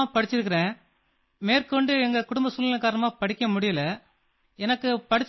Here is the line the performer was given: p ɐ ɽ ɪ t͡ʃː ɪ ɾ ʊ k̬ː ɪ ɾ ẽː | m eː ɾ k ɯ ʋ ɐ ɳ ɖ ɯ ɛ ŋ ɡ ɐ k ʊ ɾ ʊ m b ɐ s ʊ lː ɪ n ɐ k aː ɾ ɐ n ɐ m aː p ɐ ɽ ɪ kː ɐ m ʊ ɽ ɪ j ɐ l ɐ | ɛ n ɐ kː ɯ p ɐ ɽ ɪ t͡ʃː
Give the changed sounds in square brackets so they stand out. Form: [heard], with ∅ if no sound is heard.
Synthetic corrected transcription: p ɐ ɽ ɪ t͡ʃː ɪ ɾ [ɯ] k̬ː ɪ ɾ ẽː | m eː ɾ k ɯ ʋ ɐ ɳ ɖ ɯ ɛ ŋ ɡ ɐ k ʊ [ɽ] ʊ m b ɐ s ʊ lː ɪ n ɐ k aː ɾ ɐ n ɐ m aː p ɐ ɽ ɪ kː ɐ m ʊ ɽ ɪ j ɐ l ɐ | ɛ n ɐ kː ɯ p ɐ ɽ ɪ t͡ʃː